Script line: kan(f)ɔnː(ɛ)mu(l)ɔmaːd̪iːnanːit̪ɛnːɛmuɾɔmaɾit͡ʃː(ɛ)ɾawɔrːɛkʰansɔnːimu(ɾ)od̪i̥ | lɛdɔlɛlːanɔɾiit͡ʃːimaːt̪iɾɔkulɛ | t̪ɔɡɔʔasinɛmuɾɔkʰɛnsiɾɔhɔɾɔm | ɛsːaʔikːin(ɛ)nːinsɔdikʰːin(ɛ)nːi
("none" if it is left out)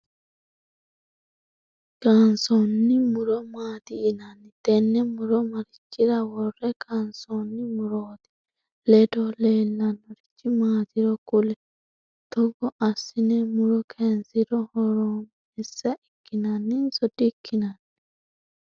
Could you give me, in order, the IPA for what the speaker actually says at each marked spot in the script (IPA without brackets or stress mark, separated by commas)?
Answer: s, i, ɾ, i, ɾ, a, a